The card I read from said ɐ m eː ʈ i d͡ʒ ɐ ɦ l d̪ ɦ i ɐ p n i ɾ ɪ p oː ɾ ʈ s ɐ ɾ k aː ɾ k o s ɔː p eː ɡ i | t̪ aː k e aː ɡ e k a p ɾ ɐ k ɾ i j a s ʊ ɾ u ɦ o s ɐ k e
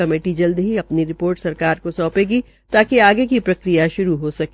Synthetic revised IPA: ɐ m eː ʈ i d͡ʒ ɐ l d̪ ɦ i ɐ p n i ɾ ɪ p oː ɾ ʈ s ɐ ɾ k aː ɾ k o s ɔː p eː ɡ i | t̪ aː k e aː ɡ e k i p ɾ ɐ k ɾ i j a ʃ ʊ ɾ u ɦ o s ɐ k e